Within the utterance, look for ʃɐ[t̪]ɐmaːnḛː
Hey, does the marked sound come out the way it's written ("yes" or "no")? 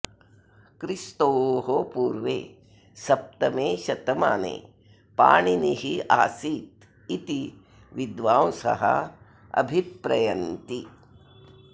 yes